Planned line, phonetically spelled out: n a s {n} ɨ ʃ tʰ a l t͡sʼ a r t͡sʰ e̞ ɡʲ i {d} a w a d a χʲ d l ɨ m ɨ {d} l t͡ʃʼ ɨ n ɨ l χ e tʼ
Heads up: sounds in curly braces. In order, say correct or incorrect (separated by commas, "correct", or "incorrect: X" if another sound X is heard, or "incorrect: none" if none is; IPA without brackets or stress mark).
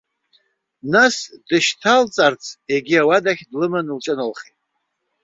incorrect: d, incorrect: none, incorrect: n